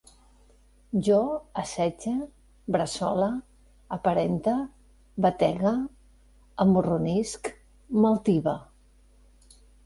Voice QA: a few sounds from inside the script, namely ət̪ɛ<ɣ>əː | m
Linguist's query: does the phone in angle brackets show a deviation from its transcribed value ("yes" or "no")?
no